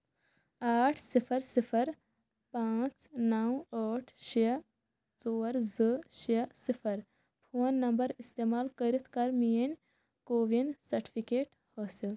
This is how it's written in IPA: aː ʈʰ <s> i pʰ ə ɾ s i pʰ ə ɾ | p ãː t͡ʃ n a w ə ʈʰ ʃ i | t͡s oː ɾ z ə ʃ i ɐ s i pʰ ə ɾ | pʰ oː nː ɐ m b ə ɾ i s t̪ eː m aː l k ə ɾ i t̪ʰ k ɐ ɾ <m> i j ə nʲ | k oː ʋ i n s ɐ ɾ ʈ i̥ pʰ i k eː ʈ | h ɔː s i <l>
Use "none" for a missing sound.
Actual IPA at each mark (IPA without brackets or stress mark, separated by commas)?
s, m, l